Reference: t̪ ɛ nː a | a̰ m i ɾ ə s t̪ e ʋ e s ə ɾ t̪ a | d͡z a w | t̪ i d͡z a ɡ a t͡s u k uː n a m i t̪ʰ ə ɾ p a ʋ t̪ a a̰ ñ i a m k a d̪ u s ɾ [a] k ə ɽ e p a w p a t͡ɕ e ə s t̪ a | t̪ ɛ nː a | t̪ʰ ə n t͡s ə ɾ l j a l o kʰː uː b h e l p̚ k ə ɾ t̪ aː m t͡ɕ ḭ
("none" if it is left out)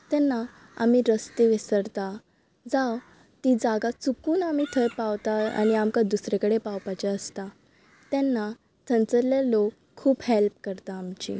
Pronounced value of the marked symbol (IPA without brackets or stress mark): e